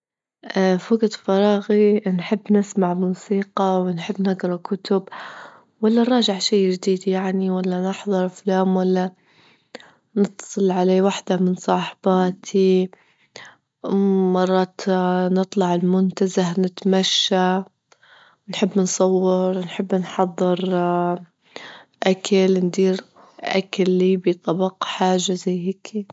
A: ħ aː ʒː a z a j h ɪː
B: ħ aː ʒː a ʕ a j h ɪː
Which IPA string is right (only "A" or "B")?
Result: A